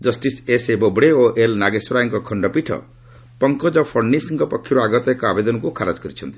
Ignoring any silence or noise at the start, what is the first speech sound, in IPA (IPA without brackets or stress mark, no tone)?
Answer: d͡ʒ